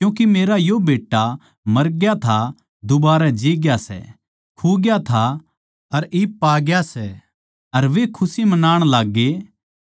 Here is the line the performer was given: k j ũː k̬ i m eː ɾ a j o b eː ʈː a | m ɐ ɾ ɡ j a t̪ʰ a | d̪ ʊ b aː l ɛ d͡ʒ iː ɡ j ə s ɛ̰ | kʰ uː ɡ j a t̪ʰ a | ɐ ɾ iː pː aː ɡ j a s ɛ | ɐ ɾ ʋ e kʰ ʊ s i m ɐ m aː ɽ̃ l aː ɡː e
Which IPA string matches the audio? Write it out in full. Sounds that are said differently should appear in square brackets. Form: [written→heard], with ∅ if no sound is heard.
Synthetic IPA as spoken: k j ũː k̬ i m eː ɾ a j o b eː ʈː a | m ɐ ɾ ɡ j a t̪ʰ a | d̪ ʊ b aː [l→ɾ] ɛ d͡ʒ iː ɡ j [ə→a] s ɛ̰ | kʰ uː ɡ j a t̪ʰ a | ɐ ɾ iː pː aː ɡ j a s ɛ | ɐ ɾ ʋ e kʰ ʊ s i m ɐ [m→n] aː ɽ̃ l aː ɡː e